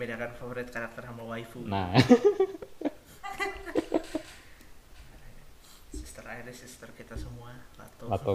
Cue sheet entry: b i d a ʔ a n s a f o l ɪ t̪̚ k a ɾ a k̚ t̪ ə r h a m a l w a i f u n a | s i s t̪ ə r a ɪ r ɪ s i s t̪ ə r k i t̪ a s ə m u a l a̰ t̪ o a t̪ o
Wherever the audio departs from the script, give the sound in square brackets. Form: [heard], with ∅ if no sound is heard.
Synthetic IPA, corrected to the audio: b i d a [k] a n [f] a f o [ɾ] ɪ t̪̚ k a ɾ a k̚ t̪ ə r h a m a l w a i f u n a | s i s t̪ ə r a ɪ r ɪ s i s t̪ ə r k i t̪ a s ə m u a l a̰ t̪ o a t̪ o